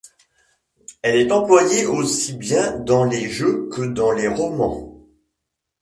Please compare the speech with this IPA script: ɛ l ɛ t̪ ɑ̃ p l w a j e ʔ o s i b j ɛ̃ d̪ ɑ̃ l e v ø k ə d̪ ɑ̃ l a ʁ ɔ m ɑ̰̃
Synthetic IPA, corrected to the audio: ɛ l ɛ t̪ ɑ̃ p l w a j e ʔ o s i b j ɛ̃ d̪ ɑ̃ l e ʒ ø k ə d̪ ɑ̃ l e ʁ ɔ m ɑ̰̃